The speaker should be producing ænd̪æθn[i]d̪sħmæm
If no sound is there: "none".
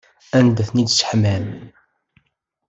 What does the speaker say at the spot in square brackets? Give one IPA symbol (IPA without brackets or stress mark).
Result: i